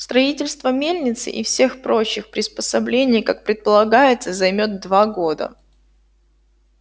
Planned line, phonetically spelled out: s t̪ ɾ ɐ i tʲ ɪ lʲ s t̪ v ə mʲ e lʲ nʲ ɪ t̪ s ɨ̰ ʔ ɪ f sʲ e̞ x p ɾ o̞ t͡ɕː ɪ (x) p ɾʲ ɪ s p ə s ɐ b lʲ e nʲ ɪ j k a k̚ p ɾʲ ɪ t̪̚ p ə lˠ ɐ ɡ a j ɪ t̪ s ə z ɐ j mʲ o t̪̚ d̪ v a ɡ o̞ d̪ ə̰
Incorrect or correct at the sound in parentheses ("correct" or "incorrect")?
correct